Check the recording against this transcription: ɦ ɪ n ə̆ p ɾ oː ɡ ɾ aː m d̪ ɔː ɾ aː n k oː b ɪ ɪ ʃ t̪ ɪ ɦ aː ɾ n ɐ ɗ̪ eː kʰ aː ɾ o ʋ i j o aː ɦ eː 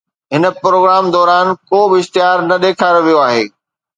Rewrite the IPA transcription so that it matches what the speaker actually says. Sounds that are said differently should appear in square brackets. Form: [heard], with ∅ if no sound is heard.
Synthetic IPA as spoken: ɦ ɪ n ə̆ p ɾ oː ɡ ɾ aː m d̪ ɔː ɾ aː n k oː b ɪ ɪ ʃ t̪ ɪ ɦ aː ɾ n ɐ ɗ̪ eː kʰ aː ɾ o ʋ i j o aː ɦ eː